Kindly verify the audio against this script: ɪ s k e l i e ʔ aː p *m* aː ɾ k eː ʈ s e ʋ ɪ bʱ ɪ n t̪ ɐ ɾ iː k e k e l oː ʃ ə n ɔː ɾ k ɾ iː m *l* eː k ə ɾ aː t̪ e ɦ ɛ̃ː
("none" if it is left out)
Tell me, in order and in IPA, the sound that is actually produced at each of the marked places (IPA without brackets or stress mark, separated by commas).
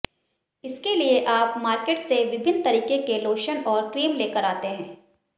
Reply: m, l